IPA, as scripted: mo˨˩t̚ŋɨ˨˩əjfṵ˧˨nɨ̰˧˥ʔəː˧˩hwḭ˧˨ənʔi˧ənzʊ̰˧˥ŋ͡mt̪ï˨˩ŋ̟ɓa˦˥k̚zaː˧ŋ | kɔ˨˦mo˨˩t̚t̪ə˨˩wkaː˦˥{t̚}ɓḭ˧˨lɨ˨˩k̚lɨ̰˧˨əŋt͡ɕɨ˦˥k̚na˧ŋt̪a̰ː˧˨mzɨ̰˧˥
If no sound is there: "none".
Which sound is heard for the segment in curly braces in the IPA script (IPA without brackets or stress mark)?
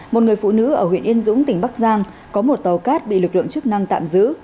t̚